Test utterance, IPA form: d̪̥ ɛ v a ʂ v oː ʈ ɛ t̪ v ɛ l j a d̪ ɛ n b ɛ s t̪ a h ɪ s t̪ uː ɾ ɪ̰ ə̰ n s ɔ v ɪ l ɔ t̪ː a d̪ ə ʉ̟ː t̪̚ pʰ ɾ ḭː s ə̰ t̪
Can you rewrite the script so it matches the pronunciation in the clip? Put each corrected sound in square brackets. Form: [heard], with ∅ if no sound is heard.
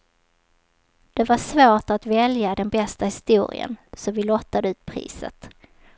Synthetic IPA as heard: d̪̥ ɛ v a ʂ v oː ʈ [a] t̪ v ɛ l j a d̪ ɛ n b ɛ s t̪ a h ɪ s t̪ uː ɾ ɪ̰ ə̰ n s ɔ v ɪ l ɔ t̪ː a d̪ ə ʉ̟ː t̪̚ pʰ ɾ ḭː s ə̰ t̪